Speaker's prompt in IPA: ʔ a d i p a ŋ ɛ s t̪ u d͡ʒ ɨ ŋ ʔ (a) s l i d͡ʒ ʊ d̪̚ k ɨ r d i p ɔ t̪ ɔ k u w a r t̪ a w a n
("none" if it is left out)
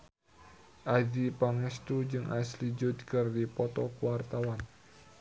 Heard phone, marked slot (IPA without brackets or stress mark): a